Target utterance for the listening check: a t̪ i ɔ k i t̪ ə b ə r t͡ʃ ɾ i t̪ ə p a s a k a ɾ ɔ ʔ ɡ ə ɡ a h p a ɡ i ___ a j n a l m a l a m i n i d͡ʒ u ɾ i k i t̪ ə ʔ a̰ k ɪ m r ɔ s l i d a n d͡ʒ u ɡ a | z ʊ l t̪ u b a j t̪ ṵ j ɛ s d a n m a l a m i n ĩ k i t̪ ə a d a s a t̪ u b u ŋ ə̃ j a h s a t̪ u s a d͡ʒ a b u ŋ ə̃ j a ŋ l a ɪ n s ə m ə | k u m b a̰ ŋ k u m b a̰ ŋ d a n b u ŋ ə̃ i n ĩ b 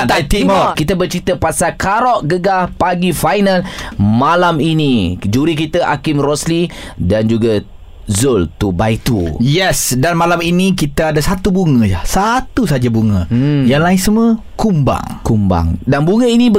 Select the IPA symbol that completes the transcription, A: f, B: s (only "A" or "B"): A